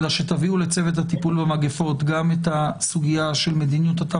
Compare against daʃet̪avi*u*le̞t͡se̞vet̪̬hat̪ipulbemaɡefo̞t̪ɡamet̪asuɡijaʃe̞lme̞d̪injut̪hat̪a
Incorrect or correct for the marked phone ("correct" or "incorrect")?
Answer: correct